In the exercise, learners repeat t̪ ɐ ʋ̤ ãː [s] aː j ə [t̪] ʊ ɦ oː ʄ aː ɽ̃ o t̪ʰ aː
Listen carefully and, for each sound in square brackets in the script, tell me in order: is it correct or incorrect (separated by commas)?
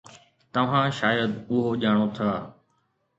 incorrect, incorrect